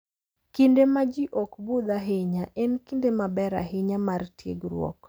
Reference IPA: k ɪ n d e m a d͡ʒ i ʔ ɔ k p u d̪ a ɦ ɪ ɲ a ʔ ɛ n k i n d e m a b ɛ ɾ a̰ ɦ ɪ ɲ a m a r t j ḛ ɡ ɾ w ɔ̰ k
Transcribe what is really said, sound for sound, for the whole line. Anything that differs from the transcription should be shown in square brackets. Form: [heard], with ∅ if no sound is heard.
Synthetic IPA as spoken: k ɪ n d e m a d͡ʒ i ʔ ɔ k [b] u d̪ a ɦ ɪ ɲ a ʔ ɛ n k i n d e m a b ɛ ɾ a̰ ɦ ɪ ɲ a m a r t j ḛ ɡ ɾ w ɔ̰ k

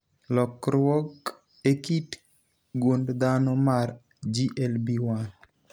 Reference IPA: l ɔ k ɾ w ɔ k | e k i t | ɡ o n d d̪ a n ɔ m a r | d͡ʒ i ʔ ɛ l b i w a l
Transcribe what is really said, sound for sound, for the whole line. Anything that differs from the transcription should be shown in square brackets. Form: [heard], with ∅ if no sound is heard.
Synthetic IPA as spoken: l ɔ k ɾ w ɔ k | e k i t | ɡ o n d d̪ a n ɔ m a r | d͡ʒ i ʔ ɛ l b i w a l

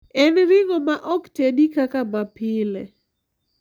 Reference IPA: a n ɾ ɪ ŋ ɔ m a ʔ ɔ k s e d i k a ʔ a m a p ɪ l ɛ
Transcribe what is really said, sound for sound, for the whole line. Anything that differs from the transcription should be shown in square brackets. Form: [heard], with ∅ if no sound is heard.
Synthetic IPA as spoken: [ɛ] n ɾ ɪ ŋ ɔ m a ʔ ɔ k [t] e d i k a [k] a m a p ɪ l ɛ

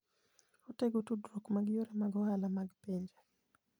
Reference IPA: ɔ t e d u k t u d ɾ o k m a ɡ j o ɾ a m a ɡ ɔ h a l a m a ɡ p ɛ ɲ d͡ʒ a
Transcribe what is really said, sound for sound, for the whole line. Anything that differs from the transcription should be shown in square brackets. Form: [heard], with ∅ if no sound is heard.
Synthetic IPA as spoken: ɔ t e [ɡ] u [∅] t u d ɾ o k m a ɡ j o ɾ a m a ɡ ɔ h a l a m a ɡ p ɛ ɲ d͡ʒ a

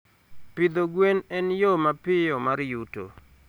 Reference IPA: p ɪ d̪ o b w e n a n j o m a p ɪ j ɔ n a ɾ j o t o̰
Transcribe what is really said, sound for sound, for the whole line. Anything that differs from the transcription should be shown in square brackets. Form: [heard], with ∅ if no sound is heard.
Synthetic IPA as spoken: p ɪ d̪ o [ɡ] w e n [ɛ] n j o m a p ɪ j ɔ [m] a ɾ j [u] t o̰

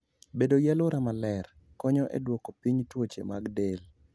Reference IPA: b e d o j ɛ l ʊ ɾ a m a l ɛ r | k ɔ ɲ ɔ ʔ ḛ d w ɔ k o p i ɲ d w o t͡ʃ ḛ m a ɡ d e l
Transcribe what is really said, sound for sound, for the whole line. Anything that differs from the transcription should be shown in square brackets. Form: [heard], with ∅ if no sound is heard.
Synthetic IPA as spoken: b e d o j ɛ l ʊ ɾ a m a l ɛ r | k ɔ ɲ ɔ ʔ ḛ d w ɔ k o p i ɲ [t] w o t͡ʃ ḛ m a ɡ d e l

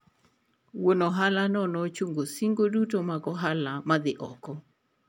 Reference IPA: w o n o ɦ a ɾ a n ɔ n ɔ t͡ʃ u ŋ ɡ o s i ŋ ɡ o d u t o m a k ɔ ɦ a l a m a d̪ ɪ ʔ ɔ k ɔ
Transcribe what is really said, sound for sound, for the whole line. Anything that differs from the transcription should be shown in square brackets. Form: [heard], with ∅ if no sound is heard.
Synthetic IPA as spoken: w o n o ɦ a [l] a n ɔ n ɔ t͡ʃ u ŋ ɡ o s i ŋ ɡ o d u t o m a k ɔ ɦ a l a m a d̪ ɪ ʔ ɔ k ɔ

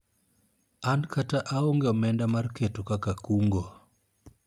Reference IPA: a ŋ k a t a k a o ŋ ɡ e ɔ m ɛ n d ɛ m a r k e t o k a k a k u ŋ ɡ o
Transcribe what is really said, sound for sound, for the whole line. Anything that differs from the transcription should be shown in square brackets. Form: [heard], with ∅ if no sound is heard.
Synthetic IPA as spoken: a [n] k a t a [ʔ] a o ŋ ɡ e ɔ m ɛ n d [a] m a r k e t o k a k a k u ŋ ɡ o

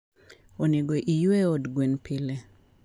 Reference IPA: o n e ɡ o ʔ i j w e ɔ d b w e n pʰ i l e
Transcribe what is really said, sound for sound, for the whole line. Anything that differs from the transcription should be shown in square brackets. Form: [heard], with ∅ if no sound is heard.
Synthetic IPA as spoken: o n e ɡ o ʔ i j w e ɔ d [ɡ] w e n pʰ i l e

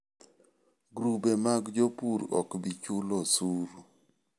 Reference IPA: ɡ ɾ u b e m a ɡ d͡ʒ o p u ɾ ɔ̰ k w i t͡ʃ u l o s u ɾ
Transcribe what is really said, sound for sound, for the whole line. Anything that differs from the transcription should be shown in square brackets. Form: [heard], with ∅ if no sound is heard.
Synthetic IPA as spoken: ɡ ɾ u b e m a ɡ d͡ʒ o p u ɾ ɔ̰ k [b] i t͡ʃ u l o s u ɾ

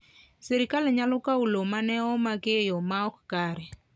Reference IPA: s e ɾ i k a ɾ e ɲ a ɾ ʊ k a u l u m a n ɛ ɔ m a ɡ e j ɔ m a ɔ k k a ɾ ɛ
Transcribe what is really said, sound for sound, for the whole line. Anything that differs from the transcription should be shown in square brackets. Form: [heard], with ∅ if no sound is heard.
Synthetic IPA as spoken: s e ɾ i k a [l] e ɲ a [l] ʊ k a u l [o] m a n ɛ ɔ m a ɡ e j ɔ m a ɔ k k a ɾ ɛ

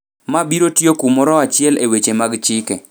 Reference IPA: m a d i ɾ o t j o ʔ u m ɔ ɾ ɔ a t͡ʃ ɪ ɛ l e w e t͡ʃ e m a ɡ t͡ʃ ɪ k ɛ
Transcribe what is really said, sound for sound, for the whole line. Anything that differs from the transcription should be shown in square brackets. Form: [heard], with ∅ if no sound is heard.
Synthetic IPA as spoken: m a [b] i ɾ o t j o [k] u m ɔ ɾ ɔ a t͡ʃ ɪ ɛ l e w e t͡ʃ e m a ɡ t͡ʃ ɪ k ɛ

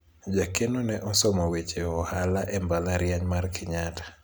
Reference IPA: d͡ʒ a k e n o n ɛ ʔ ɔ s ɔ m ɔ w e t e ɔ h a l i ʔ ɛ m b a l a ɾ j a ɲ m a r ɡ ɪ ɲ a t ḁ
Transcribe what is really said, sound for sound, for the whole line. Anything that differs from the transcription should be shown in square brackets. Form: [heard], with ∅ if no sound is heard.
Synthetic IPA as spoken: d͡ʒ a k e n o n ɛ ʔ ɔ s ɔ m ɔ w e [t͡ʃ] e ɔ h a l [a] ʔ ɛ m b a l a ɾ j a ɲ m a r [k] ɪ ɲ a t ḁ

